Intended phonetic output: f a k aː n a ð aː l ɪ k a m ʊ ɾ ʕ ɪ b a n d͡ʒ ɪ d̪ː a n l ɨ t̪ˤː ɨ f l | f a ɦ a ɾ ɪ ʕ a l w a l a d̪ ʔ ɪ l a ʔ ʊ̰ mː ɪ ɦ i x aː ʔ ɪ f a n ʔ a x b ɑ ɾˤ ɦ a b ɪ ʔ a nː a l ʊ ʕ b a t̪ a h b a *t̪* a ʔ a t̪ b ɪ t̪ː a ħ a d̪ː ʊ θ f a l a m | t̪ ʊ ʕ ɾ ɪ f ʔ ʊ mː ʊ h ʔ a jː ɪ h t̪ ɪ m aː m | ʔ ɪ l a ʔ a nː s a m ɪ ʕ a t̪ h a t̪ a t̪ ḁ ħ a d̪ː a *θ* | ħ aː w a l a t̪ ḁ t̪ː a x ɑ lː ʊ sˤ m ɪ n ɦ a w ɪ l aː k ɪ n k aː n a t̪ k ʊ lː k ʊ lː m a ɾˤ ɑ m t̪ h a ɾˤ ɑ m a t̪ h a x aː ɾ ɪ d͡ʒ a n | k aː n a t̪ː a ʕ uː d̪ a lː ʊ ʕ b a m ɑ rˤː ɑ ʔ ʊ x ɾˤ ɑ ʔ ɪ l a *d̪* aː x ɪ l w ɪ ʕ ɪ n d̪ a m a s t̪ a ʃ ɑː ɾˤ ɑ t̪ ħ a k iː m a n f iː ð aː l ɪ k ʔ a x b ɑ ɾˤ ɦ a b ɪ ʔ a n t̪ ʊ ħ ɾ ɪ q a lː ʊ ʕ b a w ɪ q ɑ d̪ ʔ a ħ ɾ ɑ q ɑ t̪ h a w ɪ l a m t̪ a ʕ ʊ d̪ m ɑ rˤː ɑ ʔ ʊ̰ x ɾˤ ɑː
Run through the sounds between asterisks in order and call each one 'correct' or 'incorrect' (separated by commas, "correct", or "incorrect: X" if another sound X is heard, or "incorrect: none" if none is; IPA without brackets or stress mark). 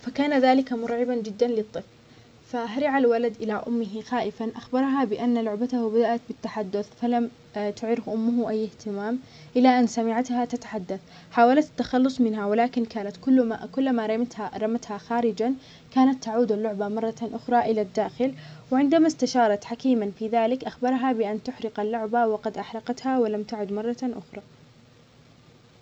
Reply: incorrect: d̪, correct, incorrect: d̪ː